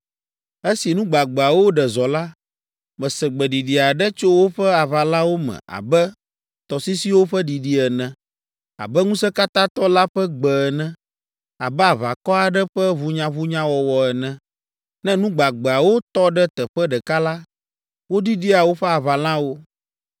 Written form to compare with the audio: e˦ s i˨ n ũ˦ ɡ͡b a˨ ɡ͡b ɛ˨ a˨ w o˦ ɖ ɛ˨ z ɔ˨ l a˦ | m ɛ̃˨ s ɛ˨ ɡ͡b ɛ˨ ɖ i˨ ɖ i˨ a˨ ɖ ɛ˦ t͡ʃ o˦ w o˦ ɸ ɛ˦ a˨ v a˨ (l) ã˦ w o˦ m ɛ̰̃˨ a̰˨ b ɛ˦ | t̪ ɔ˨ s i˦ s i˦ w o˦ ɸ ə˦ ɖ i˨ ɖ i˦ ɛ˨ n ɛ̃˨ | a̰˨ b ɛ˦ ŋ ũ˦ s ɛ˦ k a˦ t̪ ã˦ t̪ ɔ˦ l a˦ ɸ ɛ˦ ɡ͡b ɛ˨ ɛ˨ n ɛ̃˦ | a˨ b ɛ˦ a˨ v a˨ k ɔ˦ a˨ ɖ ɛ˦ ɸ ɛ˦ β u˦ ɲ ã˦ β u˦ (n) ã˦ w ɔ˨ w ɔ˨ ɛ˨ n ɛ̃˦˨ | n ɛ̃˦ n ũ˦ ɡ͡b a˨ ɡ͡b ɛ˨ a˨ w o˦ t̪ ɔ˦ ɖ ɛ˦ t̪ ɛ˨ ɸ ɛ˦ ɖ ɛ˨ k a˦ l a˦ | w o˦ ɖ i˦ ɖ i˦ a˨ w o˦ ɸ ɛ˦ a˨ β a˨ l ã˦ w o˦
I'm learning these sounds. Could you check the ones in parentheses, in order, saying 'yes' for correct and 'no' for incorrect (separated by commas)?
yes, no